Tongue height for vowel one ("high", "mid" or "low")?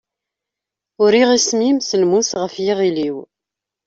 high